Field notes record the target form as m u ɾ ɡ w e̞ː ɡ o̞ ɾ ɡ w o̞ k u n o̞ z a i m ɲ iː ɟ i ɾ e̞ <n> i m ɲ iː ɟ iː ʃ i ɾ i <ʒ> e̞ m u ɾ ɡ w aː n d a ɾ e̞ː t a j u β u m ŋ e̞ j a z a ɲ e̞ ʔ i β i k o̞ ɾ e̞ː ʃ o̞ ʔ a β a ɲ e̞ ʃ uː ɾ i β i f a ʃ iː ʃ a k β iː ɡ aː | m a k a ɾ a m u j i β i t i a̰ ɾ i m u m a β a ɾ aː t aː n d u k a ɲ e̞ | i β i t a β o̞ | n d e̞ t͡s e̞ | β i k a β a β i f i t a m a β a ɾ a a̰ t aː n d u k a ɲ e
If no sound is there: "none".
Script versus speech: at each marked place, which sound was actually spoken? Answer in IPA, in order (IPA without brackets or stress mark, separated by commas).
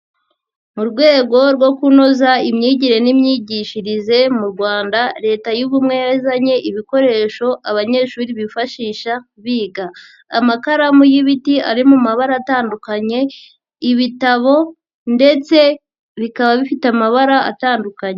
n, z